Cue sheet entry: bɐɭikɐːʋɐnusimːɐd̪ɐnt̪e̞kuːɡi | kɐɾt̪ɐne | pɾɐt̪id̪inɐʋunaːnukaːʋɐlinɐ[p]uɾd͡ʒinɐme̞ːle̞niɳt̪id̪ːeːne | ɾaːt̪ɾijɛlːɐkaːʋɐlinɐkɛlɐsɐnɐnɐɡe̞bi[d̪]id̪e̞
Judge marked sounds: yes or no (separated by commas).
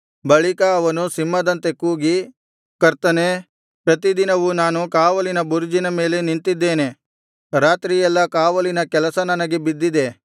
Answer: no, no